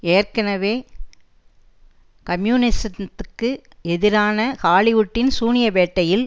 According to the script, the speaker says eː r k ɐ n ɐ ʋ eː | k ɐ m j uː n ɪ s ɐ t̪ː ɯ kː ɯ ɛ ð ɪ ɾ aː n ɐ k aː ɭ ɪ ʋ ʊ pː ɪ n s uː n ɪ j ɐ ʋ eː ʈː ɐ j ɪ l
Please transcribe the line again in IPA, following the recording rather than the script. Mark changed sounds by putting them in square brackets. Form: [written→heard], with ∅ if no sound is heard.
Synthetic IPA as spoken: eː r k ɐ n ɐ ʋ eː | k ɐ m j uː n ɪ s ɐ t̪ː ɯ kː ɯ ɛ ð ɪ ɾ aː n ɐ k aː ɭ ɪ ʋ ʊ [pː→ʈː] ɪ n s uː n ɪ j ɐ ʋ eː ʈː ɐ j ɪ l